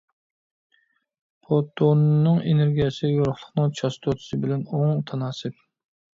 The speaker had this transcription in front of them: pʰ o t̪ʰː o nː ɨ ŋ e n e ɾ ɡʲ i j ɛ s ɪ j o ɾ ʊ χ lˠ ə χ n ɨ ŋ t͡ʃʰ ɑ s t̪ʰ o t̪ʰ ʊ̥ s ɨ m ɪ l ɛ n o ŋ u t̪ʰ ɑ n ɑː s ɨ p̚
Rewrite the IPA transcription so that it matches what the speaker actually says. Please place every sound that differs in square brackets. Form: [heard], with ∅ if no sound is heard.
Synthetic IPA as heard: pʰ o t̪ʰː o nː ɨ ŋ e n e ɾ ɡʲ i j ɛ s ɪ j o ɾ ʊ χ lˠ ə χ n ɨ ŋ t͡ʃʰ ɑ s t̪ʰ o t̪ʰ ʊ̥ s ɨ [b] ɪ l ɛ n o ŋ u t̪ʰ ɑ n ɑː s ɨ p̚